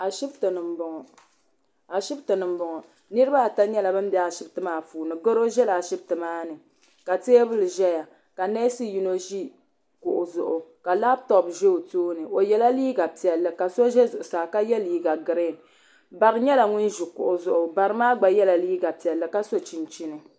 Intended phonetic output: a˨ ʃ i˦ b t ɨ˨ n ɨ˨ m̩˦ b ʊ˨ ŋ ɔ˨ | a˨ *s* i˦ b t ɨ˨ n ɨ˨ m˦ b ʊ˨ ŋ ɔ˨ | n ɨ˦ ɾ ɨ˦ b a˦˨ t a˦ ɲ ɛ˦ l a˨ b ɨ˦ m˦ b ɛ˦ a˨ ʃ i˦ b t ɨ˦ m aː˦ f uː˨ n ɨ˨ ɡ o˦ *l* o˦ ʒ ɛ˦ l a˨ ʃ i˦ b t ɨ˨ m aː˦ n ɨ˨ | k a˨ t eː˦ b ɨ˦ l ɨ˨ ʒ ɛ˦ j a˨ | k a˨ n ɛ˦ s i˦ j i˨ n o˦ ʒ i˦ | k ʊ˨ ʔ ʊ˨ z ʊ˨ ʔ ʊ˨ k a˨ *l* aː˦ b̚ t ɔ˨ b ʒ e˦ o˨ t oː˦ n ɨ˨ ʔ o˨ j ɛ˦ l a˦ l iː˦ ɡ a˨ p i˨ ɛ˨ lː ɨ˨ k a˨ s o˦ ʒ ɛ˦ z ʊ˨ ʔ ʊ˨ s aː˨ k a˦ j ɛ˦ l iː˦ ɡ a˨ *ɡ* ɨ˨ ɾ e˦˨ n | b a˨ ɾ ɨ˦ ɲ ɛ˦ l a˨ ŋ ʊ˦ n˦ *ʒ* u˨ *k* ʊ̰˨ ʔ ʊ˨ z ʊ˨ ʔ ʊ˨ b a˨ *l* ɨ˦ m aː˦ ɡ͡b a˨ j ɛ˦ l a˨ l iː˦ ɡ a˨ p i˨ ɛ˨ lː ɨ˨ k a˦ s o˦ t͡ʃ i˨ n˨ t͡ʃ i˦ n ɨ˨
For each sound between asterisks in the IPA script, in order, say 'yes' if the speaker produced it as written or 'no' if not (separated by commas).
no, no, yes, yes, yes, yes, no